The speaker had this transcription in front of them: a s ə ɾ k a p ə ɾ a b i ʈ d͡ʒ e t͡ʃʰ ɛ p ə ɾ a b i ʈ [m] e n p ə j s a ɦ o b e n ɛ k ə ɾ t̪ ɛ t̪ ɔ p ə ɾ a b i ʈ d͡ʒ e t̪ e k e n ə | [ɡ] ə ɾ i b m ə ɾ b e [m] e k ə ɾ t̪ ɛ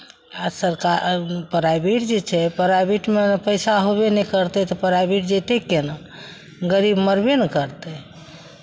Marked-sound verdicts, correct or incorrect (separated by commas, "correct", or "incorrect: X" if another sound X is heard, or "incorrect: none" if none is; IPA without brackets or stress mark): correct, correct, incorrect: n